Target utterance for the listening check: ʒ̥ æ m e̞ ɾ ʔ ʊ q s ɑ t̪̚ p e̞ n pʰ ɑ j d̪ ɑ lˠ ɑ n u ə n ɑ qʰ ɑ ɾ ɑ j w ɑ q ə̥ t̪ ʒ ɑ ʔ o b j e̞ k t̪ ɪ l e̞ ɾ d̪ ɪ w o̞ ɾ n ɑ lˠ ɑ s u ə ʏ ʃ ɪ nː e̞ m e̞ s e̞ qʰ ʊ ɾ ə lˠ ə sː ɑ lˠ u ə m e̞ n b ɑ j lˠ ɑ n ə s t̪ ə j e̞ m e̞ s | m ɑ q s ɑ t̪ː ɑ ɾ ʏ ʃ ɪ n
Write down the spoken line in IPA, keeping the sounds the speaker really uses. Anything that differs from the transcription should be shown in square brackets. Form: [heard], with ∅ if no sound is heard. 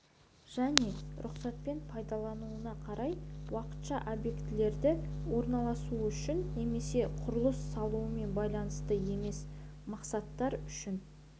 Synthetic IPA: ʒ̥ æ [n] e̞ ɾ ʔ ʊ q s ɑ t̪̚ p e̞ n pʰ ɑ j d̪ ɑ lˠ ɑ n u ə n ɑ qʰ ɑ ɾ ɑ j w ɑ q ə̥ t̪ [ʃ] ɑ ʔ o b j e̞ k t̪ ɪ l e̞ ɾ d̪ ɪ w o̞ ɾ n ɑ lˠ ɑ s u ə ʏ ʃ ɪ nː e̞ m e̞ s e̞ qʰ ʊ ɾ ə lˠ ə sː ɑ lˠ u ə m e̞ n b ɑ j lˠ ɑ n ə s t̪ ə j e̞ m e̞ s | m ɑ q s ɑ t̪ː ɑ ɾ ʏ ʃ ɪ n